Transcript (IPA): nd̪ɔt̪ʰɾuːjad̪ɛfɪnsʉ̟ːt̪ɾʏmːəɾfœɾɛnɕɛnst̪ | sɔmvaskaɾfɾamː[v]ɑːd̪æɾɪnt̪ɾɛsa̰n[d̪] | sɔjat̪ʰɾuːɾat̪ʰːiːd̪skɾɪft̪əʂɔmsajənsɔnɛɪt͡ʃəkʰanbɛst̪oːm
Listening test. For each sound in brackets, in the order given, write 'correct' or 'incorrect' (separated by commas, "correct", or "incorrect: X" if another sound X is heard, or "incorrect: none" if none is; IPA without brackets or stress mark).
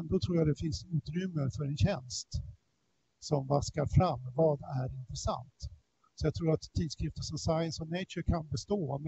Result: correct, incorrect: t̪